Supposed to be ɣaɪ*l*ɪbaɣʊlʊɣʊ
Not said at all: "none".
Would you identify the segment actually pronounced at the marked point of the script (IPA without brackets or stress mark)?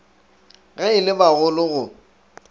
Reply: l